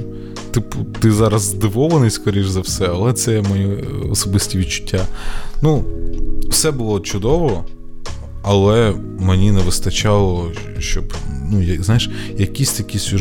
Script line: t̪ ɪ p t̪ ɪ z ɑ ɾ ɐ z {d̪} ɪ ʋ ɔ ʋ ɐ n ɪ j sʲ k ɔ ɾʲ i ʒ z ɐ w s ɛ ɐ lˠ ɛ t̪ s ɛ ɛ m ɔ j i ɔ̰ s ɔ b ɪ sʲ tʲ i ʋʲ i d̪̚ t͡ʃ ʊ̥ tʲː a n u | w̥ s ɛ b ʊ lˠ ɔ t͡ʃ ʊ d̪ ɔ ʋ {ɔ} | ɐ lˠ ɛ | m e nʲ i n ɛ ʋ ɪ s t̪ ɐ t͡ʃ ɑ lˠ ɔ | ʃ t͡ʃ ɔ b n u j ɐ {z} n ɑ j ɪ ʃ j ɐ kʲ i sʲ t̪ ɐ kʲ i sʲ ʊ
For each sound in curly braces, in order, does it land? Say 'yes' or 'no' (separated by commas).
yes, yes, yes